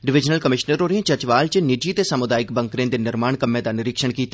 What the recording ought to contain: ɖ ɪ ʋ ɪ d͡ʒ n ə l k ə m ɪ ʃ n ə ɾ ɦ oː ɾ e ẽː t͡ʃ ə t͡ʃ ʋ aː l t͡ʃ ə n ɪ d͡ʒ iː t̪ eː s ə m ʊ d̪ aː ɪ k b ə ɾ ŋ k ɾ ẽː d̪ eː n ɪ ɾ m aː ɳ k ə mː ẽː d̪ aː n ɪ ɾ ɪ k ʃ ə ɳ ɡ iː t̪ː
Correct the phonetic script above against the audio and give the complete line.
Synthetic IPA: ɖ ɪ ʋ ɪ d͡ʒ n ə l k ə m ɪ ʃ n ə ɾ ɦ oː ɾ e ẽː t͡ʃ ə t͡ʃ ʋ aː l t͡ʃ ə n ɪ d͡ʒ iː t̪ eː s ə m ʊ d̪ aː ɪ k b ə ŋ k ɾ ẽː d̪ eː n ɪ ɾ m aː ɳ k ə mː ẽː d̪ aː n ɪ ɾ ɪ k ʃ ə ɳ k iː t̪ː